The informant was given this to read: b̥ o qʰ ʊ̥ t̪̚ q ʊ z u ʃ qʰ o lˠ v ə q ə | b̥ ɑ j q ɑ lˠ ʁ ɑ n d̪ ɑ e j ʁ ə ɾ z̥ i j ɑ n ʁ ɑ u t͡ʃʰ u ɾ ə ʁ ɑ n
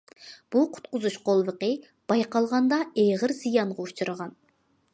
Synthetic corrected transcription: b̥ u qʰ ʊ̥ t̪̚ q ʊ z u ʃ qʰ o lˠ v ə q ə | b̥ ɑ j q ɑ lˠ ʁ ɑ n d̪ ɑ e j ʁ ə ɾ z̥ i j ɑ ɴ ʁ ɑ u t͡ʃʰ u ɾ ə ʁ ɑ n

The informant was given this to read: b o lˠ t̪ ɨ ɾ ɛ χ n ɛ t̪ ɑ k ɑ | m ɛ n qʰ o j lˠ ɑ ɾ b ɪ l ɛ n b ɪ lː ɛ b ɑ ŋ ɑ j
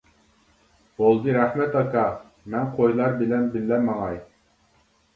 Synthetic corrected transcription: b o lˠ d̪ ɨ ɾ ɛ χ m ɛ t̪ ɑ k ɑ | m ɛ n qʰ o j lˠ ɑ ɾ b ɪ l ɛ n b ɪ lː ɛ m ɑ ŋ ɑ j

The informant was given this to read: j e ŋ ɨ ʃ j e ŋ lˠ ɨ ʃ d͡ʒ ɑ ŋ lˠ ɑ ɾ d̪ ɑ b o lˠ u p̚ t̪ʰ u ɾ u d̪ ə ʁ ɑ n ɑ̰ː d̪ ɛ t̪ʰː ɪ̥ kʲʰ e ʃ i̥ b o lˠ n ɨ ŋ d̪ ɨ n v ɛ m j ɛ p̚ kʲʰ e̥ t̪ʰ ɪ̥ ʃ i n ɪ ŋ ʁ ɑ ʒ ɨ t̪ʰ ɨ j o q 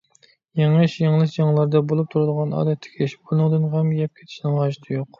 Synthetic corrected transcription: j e ŋ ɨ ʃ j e ŋ lˠ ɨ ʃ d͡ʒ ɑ ŋ lˠ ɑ ɾ d̪ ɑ b o lˠ u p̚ t̪ʰ u ɾ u d̪ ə ʁ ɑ n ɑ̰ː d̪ ɛ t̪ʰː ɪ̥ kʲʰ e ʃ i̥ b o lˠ n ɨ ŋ d̪ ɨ n ʁ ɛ m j ɛ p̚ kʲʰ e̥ t̪ʰ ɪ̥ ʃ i n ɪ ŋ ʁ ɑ ʒ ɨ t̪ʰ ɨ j o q

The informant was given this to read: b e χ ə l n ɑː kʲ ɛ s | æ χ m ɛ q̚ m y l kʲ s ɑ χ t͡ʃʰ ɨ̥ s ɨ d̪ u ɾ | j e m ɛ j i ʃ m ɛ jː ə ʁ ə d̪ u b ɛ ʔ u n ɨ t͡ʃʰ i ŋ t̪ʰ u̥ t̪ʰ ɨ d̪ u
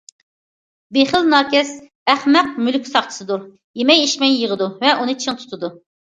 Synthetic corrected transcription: b e χ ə l n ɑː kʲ ɛ s | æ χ m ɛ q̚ m y l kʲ s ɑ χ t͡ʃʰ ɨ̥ s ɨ d̪ u ɾ | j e m ɛ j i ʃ m ɛ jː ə ʁ ə d̪ u v ɛ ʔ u n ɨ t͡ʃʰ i ŋ t̪ʰ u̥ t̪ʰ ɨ d̪ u

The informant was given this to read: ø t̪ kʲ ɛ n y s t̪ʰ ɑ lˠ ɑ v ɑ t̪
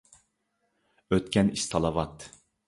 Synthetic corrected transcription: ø t̪ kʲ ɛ n i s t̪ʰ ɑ lˠ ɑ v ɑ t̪

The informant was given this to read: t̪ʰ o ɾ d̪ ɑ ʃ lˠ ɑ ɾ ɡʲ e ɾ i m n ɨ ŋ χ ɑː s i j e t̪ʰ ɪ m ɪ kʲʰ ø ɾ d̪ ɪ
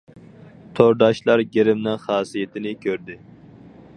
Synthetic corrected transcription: t̪ʰ o ɾ d̪ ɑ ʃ lˠ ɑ ɾ ɡʲ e ɾ ɪ m n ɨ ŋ χ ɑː s i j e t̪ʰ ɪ n ɪ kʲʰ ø ɾ d̪ ɪ

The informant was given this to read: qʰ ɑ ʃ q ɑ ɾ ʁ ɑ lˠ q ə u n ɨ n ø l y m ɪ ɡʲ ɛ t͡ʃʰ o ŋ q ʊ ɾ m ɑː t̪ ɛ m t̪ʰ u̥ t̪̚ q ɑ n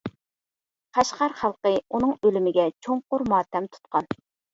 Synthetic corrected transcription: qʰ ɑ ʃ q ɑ ɾ χ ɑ lˠ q ə u n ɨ ŋ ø l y m ɪ ɡʲ ɛ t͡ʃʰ o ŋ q ʊ ɾ m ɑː t̪ ɛ m t̪ʰ u̥ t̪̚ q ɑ n

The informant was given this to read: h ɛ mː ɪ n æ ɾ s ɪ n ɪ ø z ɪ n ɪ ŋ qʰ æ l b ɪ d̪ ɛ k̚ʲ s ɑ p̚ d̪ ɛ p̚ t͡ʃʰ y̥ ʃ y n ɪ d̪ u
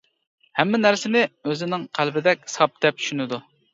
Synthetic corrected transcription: h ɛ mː ɪ n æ ɾ s ɪ n ɪ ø z ɪ n ɪ ŋ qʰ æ l b ɪ d̪ ɛ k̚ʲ s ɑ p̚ d̪ ɛ p̚ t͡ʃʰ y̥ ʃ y n ɪ d̪ u

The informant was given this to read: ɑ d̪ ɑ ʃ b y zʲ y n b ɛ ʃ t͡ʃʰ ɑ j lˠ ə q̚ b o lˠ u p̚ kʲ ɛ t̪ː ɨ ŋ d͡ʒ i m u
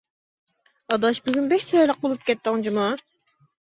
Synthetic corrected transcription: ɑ d̪ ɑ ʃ b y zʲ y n b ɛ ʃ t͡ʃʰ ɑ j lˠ ə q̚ b o lˠ u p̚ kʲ ɛ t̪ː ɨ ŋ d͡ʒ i m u

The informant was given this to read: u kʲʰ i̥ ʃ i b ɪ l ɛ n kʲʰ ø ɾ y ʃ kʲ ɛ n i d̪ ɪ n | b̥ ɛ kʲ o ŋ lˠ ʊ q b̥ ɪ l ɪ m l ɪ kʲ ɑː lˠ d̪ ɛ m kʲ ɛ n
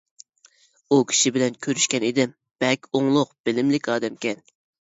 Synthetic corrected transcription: u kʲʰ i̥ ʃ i b ɪ l ɛ n kʲʰ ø ɾ y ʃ kʲ ɛ n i d̪ ɪ m | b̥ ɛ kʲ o ŋ lˠ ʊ q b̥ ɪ l ɪ m l ɪ kʲ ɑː d̪ ɛ m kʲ ɛ n

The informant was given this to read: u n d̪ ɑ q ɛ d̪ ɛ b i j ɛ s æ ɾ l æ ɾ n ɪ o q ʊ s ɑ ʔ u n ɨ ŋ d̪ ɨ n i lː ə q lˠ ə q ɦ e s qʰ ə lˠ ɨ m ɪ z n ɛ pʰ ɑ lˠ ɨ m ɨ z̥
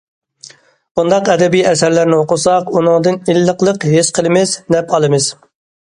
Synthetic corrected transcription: u n d̪ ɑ q ɛ d̪ ɛ b i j ɛ s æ ɾ l æ ɾ n ɪ o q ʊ s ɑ q u n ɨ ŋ d̪ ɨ n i lː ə q lˠ ə q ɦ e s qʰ ə lˠ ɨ m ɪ z n ɛ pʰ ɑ lˠ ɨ m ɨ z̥

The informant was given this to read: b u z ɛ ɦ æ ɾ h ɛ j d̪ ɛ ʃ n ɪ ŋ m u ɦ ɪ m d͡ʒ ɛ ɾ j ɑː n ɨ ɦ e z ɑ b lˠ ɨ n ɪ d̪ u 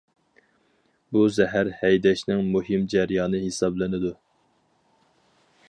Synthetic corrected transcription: b u z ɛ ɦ æ ɾ h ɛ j d̪ ɛ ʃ n ɪ ŋ m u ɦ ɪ m d͡ʒ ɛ ɾ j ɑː n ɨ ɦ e s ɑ b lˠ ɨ n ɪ d̪ u

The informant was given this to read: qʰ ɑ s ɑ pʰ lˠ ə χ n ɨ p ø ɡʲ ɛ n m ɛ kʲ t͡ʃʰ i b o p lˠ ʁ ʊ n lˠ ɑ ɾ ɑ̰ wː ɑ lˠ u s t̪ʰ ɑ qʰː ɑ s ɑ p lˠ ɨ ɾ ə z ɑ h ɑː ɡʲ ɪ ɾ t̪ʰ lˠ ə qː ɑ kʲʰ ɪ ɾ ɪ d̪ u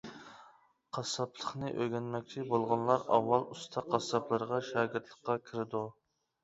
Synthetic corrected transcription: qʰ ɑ s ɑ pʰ lˠ ə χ n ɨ ʔ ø ɡʲ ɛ n m ɛ kʲ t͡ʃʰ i b o lˠ ʁ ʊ n lˠ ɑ ɾ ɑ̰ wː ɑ lˠ u s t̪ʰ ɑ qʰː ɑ s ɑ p lˠ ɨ ɾ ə ʁ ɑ ʃ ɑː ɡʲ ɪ ɾ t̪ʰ lˠ ə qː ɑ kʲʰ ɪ ɾ ɪ d̪ u

